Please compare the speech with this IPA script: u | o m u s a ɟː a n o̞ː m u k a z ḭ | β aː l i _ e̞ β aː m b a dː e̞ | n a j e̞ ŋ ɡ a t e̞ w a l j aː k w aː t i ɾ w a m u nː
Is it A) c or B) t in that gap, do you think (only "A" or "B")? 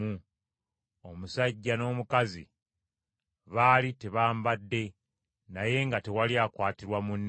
B